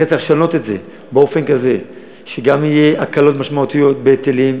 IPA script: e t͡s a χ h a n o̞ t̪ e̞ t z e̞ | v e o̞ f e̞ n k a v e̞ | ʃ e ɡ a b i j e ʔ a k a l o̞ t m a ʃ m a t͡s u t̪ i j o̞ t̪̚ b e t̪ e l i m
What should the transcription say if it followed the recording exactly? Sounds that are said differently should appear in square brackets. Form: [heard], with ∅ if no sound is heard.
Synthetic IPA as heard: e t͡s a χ [ʃ] a n o̞ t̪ e̞ t z e̞ | [b] e o̞ f e̞ n k a [z] e̞ | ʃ e ɡ a [m] i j e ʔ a k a l o̞ t m a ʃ m a [∅] u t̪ i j o̞ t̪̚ b e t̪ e l i m